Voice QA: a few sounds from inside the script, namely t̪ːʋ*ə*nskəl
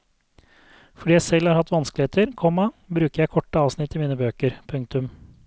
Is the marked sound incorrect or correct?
incorrect